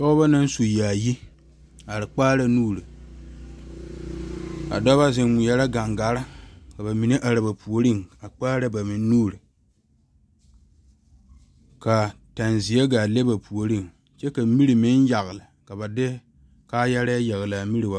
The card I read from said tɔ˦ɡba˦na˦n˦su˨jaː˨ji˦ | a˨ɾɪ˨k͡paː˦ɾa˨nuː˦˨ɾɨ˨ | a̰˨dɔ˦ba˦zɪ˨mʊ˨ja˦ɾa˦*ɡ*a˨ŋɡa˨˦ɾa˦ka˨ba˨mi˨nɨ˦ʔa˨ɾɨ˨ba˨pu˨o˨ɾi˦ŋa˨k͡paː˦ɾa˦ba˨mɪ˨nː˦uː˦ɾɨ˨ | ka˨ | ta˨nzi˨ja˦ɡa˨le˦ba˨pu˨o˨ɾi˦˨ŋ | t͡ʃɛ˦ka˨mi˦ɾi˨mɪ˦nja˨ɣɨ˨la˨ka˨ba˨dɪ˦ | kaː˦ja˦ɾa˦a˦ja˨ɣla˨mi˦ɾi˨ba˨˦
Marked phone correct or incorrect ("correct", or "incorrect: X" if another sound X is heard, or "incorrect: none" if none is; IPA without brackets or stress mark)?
correct